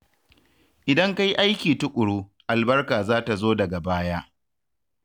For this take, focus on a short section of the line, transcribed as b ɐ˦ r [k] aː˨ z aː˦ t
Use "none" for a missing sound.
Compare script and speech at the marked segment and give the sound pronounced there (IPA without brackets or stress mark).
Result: k